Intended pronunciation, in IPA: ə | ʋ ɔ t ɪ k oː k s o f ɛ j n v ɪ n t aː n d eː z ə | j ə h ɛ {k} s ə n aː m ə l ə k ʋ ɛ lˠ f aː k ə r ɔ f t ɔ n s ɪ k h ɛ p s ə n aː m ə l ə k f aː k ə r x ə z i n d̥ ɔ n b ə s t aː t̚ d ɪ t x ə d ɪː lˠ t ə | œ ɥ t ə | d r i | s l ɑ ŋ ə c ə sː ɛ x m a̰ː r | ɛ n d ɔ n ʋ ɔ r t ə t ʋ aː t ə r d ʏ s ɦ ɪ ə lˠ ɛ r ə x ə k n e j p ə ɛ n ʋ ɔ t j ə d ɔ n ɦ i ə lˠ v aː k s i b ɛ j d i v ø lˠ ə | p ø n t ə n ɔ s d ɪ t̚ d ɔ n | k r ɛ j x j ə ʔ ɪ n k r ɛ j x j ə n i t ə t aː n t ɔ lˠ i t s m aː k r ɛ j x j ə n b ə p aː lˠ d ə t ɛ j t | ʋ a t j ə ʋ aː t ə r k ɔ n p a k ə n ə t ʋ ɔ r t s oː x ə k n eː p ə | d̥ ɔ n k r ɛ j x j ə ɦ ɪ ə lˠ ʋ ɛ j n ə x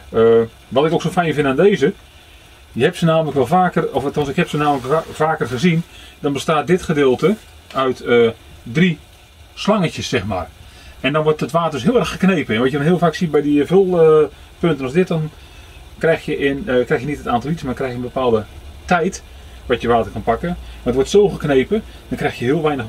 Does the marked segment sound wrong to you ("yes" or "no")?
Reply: yes